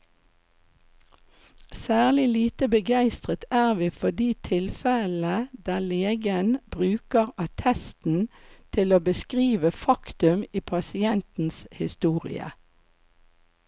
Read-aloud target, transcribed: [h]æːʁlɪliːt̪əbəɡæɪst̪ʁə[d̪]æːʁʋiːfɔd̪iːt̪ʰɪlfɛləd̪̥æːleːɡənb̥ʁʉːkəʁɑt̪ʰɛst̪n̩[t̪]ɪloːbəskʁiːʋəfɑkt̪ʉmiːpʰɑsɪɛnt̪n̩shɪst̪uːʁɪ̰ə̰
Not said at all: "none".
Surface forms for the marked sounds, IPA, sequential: s, t̪, t̪ʰ

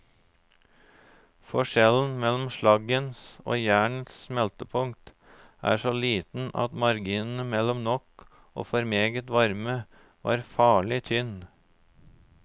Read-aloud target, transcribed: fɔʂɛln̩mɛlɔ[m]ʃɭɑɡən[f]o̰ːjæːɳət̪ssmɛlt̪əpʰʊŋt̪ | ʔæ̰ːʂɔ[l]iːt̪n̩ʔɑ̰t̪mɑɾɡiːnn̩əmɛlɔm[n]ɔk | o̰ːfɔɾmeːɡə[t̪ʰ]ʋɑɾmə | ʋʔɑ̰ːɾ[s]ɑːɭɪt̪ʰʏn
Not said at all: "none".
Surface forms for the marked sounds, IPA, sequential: m, s, l, n, t̪, f

